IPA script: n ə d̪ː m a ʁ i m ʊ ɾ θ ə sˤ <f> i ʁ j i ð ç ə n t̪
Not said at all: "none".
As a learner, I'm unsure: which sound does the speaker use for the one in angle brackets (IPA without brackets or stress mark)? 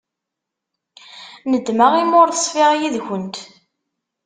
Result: f